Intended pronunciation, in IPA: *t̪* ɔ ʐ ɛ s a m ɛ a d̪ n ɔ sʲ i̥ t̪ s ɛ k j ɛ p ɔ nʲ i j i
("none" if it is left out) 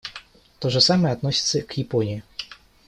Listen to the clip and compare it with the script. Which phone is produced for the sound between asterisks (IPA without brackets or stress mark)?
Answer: t̪